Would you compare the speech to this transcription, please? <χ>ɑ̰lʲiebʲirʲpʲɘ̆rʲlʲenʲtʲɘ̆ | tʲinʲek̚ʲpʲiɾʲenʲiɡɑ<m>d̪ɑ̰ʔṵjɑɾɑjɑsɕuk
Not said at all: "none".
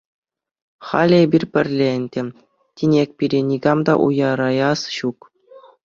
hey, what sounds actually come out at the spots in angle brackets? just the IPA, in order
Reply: χ, m

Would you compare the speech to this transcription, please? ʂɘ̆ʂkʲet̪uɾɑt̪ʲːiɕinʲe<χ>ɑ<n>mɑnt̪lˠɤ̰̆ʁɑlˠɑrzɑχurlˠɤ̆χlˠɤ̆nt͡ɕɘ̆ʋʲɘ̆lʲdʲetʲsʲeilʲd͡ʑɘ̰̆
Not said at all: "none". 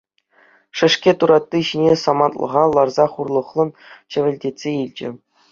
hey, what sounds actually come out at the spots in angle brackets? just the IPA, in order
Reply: s, none

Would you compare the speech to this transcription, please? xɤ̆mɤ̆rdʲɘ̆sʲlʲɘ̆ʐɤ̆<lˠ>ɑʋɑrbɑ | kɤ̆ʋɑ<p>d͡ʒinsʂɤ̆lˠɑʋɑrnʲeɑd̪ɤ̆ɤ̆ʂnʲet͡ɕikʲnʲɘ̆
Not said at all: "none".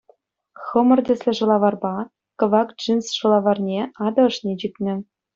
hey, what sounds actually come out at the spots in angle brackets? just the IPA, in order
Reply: lˠ, k

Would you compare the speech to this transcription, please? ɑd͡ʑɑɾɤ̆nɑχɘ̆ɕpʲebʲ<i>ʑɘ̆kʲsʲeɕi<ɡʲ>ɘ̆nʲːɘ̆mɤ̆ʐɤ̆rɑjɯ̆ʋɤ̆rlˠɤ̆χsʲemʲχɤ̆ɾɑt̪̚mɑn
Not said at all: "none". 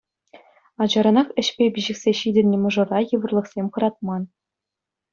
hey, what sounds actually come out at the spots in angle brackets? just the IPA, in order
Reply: i, dʲ

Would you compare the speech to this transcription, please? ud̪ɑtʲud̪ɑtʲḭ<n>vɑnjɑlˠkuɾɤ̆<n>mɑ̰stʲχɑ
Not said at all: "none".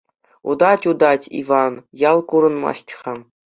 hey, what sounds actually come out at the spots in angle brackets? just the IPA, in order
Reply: none, n

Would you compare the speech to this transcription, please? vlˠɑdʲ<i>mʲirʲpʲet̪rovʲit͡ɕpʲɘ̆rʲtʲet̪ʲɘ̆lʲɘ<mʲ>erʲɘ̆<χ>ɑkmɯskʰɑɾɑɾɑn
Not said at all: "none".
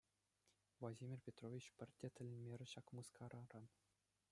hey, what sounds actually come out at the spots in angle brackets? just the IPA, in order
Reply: i, mʲ, ɕ

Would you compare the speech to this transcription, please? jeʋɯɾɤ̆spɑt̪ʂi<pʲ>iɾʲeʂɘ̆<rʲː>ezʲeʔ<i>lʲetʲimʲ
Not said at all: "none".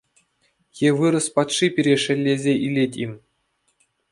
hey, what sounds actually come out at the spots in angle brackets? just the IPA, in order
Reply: pʲ, lʲː, i

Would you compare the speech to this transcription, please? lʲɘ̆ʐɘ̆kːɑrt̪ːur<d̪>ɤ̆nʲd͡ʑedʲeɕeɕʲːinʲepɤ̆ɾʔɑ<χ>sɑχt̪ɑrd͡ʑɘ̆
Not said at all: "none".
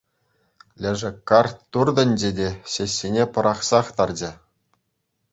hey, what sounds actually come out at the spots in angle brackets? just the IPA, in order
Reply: d̪, χ

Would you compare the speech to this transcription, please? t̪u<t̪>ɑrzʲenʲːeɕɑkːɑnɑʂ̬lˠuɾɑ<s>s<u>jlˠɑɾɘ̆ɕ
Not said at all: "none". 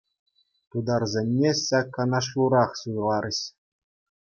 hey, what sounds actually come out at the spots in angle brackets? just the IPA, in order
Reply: d̪, χ, u

